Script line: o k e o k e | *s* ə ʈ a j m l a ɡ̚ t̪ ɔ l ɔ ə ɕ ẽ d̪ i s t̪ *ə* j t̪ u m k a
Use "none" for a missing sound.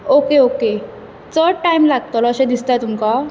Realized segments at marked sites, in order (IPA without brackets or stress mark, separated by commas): t͡s, a